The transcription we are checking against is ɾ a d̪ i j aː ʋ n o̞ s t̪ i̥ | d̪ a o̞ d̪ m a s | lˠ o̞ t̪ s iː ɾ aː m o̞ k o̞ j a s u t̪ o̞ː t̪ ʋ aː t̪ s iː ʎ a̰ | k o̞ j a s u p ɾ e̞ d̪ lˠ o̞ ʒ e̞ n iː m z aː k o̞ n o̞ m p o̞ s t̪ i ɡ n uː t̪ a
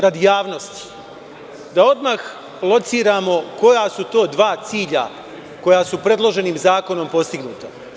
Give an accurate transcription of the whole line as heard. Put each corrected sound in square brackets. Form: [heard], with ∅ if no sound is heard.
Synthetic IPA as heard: ɾ a d̪ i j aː ʋ n o̞ s t̪ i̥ | d̪ a o̞ d̪ m a [x] | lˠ o̞ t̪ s iː ɾ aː m o̞ k o̞ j a s u t̪ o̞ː [d̪] ʋ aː t̪ s iː ʎ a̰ | k o̞ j a s u p ɾ e̞ d̪ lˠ o̞ ʒ e̞ n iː m z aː k o̞ n o̞ m p o̞ s t̪ i ɡ n uː t̪ a